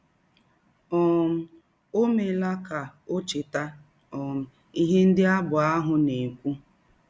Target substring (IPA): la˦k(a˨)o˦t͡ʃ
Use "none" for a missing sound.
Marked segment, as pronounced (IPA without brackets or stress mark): a˨